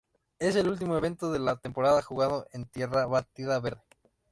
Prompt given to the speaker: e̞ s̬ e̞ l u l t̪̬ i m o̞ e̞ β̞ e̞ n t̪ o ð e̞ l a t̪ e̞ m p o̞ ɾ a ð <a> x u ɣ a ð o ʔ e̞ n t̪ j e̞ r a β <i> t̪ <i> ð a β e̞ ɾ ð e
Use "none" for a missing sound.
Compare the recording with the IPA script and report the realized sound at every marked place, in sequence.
a, a, i

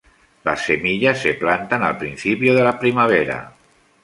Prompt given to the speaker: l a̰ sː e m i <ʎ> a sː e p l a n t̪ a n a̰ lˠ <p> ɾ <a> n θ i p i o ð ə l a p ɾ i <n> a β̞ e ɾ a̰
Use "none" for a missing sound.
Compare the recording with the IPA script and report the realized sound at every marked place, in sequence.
ʎ, p, i, m

